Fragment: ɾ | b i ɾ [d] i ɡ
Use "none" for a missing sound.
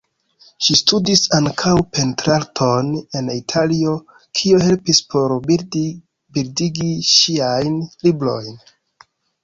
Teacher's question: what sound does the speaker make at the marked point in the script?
d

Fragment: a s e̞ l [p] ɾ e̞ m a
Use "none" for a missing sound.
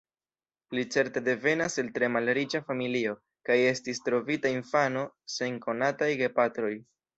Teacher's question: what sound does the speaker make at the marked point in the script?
t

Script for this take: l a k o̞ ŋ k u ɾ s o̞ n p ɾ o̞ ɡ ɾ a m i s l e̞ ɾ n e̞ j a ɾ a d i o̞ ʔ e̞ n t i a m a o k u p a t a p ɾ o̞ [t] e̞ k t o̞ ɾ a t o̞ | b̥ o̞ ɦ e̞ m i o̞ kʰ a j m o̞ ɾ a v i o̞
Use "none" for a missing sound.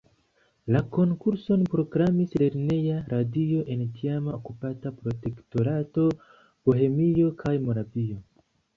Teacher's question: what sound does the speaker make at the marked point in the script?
t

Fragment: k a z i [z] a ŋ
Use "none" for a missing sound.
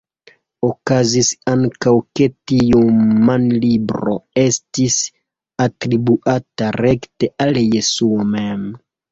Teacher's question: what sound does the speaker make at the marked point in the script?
s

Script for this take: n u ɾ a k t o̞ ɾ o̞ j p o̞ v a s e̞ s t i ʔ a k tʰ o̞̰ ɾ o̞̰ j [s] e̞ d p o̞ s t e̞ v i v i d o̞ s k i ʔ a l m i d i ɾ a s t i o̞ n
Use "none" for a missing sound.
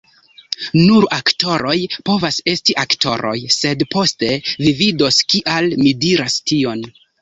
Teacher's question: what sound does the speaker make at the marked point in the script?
s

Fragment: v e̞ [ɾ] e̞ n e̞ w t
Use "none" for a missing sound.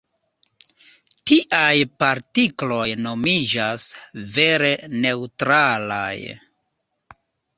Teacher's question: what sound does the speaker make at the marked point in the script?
ɾ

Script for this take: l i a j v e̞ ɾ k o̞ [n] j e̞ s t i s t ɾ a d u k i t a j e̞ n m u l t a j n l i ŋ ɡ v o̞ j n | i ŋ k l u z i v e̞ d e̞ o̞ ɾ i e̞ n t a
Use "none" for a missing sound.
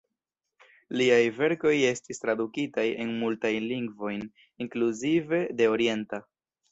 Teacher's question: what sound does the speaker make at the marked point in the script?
none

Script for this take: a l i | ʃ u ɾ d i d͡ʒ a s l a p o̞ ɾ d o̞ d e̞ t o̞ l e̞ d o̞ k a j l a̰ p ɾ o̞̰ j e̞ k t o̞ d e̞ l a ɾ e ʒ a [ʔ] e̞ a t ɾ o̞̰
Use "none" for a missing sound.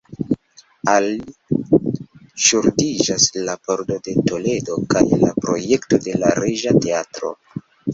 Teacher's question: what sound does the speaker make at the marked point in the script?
t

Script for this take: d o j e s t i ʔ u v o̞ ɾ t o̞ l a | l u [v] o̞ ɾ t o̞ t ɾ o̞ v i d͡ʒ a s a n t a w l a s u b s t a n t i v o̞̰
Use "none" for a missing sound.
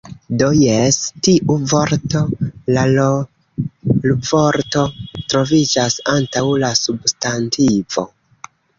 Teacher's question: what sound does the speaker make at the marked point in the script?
v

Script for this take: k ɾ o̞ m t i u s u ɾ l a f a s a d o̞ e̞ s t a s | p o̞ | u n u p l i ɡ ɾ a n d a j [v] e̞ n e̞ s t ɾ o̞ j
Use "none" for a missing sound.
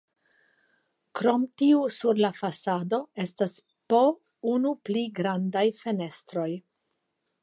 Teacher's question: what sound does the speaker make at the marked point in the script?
f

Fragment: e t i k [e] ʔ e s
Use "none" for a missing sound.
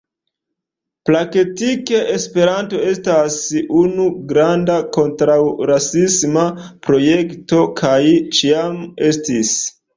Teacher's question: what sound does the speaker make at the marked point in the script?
e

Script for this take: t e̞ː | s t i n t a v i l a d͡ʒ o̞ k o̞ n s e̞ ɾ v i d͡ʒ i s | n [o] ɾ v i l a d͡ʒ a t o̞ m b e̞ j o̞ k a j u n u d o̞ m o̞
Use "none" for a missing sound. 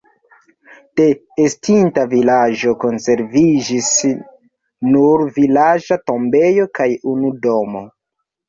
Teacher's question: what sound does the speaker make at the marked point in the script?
u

